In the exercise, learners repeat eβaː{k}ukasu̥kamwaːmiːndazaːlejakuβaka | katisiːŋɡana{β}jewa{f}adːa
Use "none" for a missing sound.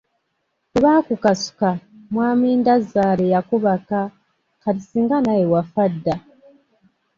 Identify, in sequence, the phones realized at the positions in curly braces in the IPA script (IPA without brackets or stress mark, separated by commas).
k, none, f